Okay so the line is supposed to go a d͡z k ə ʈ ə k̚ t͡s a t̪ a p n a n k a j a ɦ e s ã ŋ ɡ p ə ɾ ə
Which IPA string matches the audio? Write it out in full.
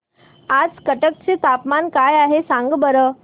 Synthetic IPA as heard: a d͡z k ə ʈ ə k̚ t͡s e t̪ a p m a n k a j a ɦ e s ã ŋ ɡ b ə ɾ ə